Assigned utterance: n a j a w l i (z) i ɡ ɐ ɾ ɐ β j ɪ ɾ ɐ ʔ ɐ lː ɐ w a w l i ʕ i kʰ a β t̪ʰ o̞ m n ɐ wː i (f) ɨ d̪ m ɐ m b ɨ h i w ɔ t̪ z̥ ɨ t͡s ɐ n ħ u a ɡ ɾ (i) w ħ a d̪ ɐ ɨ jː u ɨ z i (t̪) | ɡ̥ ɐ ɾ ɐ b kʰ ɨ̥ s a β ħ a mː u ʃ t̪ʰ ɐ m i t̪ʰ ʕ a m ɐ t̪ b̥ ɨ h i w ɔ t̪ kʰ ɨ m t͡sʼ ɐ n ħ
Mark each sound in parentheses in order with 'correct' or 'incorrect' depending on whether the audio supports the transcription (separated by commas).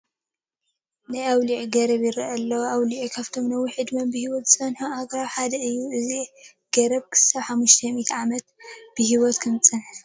incorrect, incorrect, incorrect, incorrect